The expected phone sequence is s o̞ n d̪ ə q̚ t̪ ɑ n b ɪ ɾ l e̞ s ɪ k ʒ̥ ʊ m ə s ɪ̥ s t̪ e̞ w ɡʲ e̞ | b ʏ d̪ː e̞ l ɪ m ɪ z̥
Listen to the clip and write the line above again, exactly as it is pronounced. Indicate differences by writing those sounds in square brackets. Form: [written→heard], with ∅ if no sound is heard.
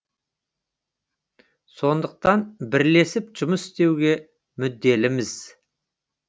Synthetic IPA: s o̞ n d̪ ə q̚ t̪ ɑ n b ɪ ɾ l e̞ s ɪ [k→p] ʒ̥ ʊ m ə s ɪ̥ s t̪ e̞ w ɡʲ e̞ | [b→m] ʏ d̪ː e̞ l ɪ m ɪ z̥